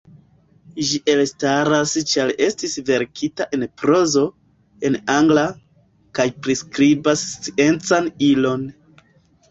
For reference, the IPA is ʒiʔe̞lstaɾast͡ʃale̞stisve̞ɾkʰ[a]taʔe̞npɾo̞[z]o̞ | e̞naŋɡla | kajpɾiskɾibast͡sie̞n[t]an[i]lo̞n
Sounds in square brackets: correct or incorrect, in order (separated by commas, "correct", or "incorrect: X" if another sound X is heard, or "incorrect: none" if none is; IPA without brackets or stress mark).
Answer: incorrect: i, correct, incorrect: t͡s, correct